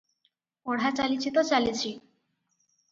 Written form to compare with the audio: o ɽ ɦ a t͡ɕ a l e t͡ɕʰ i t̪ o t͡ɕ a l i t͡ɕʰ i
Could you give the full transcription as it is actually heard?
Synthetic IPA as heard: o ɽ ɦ a t͡ɕ a l i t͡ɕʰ i t̪ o t͡ɕ a l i t͡ɕʰ i